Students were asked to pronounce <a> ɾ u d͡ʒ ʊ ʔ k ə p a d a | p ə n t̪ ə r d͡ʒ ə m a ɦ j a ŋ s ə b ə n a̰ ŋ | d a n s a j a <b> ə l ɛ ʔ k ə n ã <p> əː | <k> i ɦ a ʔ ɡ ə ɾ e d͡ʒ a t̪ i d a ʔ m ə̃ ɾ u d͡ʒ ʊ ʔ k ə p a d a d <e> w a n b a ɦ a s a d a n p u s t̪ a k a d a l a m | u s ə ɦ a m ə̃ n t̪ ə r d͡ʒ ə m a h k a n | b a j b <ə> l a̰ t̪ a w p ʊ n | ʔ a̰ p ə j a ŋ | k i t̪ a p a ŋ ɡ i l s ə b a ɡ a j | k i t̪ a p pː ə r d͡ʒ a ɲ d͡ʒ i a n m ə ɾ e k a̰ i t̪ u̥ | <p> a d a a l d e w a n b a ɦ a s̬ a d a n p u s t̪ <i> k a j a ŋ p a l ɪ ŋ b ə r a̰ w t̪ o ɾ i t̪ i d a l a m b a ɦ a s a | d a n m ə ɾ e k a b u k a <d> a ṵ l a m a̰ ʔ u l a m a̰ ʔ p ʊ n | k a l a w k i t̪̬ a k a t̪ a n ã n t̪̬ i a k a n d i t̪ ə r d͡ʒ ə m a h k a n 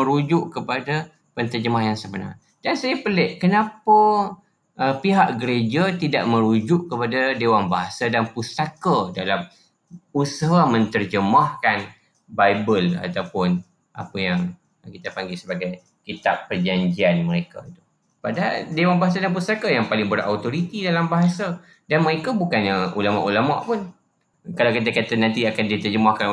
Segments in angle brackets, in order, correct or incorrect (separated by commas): incorrect, incorrect, correct, incorrect, correct, correct, correct, incorrect, incorrect